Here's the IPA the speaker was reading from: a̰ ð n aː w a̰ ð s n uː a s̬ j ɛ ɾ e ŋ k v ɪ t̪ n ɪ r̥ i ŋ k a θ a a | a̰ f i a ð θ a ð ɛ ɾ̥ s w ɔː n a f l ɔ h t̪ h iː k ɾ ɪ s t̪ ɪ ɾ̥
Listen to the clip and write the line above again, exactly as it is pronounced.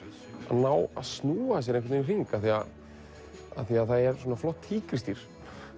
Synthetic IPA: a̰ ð n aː w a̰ ð s n uː a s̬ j ɛ ɾ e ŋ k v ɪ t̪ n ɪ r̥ i ŋ k a θ i a | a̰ θ i a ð θ a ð ɛ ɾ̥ s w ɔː n a f l ɔ h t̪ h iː k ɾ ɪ s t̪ i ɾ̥